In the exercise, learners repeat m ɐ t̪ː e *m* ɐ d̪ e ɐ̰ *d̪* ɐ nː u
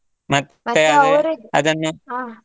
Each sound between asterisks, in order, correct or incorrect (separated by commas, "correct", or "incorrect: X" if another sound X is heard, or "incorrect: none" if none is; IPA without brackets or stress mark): incorrect: none, correct